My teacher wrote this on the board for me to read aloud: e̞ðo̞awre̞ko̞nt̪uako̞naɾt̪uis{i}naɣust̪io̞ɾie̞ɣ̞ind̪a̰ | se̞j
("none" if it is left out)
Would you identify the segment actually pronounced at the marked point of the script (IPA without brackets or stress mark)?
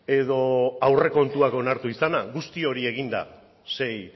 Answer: a